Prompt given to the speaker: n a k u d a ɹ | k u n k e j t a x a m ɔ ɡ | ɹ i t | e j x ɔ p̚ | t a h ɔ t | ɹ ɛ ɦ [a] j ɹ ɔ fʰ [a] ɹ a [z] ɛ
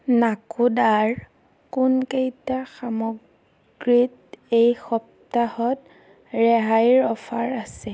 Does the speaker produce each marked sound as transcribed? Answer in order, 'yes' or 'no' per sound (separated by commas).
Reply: yes, yes, no